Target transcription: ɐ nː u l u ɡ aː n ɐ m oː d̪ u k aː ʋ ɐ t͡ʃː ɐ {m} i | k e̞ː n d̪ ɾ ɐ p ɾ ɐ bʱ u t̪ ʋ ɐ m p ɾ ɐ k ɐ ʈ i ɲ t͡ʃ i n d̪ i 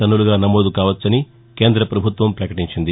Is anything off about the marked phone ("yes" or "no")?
yes